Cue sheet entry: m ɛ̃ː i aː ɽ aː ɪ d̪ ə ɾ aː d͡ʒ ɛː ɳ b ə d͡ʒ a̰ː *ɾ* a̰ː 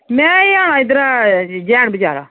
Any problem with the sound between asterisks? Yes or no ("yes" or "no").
no